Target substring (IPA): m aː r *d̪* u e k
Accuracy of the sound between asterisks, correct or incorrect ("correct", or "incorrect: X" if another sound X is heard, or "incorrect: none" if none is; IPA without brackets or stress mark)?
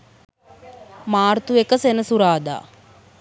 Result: incorrect: t̪